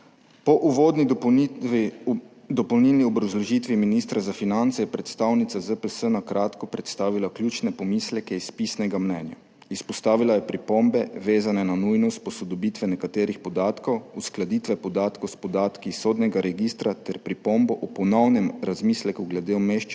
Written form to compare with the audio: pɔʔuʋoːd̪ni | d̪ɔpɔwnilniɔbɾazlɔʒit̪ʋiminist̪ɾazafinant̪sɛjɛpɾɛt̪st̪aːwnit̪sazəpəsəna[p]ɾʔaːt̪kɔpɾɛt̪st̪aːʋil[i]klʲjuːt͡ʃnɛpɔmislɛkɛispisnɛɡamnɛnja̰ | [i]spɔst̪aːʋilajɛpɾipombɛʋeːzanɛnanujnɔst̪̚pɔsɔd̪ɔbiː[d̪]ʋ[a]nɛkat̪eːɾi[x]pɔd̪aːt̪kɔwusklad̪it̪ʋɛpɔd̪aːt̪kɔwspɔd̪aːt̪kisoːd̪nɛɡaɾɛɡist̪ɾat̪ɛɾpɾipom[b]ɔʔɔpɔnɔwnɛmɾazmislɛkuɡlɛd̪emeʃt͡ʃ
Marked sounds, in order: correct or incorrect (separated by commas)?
incorrect, incorrect, correct, incorrect, incorrect, correct, correct